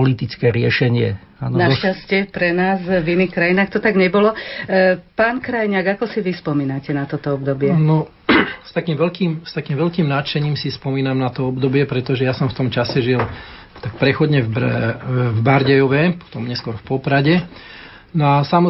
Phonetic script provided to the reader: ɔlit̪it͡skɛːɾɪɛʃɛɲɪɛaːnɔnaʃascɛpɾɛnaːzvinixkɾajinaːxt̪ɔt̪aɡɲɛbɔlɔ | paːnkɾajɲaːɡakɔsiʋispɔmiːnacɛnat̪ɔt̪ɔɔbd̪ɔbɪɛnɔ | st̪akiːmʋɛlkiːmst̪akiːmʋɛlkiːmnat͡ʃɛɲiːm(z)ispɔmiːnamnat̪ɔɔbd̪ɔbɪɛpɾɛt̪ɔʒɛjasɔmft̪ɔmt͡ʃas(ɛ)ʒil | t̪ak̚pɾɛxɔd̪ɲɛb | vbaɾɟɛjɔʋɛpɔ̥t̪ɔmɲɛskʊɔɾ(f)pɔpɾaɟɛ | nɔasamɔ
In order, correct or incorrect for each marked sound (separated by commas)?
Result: incorrect, correct, correct